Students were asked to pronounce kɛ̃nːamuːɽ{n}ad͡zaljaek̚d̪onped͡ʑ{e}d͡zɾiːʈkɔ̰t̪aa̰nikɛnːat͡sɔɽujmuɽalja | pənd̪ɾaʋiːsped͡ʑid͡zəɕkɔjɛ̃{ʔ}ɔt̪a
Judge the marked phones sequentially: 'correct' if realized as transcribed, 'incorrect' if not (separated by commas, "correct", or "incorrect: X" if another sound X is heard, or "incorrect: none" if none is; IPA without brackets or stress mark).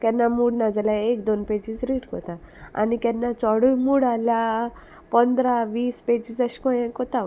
correct, incorrect: i, incorrect: k